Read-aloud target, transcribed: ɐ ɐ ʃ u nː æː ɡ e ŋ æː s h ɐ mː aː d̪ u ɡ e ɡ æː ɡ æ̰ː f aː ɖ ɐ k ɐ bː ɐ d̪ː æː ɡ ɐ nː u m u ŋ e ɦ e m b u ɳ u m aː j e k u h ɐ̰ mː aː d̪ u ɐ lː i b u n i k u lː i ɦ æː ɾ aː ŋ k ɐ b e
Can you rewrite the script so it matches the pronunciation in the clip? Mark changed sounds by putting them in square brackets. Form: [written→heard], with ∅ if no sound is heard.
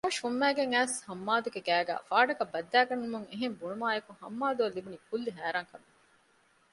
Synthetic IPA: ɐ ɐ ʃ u [nː→mː] æː ɡ e ŋ æː s h ɐ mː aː d̪ u ɡ e ɡ æː ɡ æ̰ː f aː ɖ ɐ k ɐ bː ɐ d̪ː æː ɡ ɐ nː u m u ŋ e ɦ e m b u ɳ u m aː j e k u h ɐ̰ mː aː d̪ u ɐ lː i b u n i k u lː i ɦ æː ɾ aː ŋ k ɐ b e